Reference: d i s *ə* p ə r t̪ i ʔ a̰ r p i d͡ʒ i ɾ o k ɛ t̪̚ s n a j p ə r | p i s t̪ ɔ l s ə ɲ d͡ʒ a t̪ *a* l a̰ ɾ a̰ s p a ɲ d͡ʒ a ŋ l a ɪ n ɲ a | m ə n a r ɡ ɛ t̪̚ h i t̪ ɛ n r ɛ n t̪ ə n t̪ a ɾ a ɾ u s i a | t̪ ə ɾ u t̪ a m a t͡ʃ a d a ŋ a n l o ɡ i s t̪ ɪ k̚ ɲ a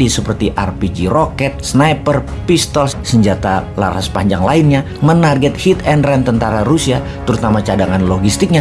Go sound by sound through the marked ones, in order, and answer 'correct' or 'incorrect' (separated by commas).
correct, correct